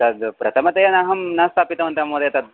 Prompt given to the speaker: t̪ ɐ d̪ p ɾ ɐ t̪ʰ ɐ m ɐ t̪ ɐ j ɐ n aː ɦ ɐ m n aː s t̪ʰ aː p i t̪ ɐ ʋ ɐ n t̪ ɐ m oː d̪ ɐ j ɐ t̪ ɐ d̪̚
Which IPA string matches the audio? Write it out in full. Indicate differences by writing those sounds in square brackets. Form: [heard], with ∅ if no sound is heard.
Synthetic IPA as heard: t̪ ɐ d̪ p ɾ ɐ t̪ʰ ɐ m ɐ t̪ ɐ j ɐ n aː ɦ ɐ m n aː s t̪ʰ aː p i t̪ ɐ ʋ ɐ n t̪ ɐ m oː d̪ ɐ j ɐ t̪ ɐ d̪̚